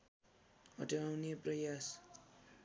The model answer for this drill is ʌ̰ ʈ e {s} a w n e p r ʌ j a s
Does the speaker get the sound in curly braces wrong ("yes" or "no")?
yes